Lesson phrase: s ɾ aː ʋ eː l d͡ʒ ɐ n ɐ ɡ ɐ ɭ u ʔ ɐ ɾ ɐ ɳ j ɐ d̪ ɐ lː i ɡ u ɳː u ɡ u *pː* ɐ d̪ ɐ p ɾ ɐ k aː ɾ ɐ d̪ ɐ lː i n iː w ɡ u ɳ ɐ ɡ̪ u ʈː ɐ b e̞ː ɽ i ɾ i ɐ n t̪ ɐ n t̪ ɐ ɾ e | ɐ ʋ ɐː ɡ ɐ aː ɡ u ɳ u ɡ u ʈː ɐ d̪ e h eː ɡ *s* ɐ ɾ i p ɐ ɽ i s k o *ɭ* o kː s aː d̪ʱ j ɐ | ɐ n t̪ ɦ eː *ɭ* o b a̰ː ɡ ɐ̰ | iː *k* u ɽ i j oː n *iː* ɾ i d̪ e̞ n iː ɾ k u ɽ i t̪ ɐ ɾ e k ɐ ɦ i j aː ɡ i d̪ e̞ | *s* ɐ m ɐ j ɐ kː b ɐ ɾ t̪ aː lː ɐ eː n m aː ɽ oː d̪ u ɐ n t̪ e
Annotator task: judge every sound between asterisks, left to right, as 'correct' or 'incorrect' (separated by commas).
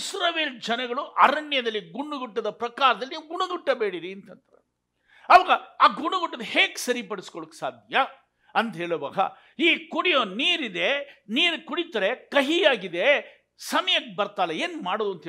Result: incorrect, correct, correct, correct, correct, correct, correct